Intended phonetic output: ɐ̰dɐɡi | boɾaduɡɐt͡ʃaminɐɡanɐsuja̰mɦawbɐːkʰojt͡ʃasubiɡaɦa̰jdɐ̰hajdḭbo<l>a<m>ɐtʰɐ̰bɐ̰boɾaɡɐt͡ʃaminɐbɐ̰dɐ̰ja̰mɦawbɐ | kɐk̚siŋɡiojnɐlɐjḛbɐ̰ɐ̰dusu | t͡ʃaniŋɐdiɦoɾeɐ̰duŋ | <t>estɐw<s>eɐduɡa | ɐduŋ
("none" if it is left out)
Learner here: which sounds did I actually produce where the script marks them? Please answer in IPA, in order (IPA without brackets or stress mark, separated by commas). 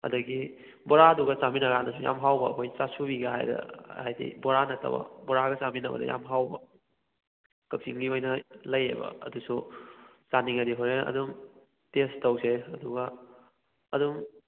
ɾ, n, t, s